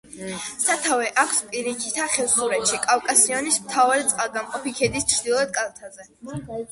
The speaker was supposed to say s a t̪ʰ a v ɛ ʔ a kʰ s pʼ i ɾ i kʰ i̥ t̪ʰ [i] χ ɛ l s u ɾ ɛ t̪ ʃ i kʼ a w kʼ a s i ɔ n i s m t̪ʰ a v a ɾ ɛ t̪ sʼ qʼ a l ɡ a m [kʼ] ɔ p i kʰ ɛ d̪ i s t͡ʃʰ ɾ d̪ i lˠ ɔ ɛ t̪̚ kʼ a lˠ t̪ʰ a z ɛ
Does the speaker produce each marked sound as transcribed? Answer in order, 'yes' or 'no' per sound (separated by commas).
no, no